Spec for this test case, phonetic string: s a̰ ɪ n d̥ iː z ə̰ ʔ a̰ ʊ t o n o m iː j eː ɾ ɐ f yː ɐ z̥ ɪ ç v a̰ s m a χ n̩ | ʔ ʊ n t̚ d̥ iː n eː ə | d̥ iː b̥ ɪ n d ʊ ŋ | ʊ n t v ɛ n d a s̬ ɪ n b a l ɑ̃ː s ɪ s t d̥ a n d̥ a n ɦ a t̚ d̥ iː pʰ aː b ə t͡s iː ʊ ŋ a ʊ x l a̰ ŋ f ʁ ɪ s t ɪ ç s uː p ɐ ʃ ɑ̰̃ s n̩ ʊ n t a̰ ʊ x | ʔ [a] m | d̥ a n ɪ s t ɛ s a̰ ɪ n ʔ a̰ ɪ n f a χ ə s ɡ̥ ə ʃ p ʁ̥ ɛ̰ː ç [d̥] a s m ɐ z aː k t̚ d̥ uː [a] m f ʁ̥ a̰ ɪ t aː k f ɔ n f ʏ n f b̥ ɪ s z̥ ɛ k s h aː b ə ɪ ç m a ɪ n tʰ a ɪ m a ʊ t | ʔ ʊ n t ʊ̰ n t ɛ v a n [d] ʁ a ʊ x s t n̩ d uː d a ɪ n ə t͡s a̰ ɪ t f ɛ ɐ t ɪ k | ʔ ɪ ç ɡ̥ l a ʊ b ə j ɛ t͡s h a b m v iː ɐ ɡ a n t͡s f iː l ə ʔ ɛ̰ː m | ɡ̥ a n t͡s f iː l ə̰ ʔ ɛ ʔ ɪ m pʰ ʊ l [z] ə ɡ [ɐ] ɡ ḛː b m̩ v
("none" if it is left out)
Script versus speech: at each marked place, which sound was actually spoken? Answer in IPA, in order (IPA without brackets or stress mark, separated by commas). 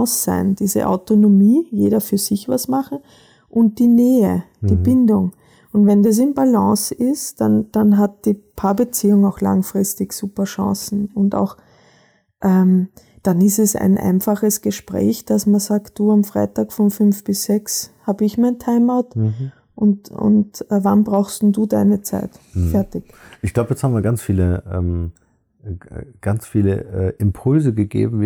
ɛ, d̥, a, b, z, ə